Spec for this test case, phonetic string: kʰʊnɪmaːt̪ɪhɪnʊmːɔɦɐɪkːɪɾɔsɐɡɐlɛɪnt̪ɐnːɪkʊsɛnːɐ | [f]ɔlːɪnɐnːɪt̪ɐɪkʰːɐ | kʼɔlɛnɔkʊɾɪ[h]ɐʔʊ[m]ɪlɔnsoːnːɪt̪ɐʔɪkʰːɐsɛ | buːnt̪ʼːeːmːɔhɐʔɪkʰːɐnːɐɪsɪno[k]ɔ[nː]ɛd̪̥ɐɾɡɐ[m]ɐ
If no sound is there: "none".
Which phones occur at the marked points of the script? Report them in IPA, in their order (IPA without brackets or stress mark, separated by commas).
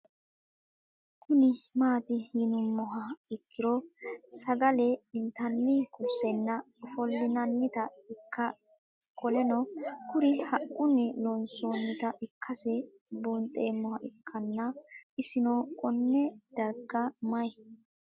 f, h, n, kʼ, nː, m